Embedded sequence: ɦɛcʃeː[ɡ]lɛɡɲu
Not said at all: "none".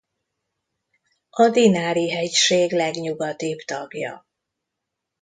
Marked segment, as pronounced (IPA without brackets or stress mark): ɡ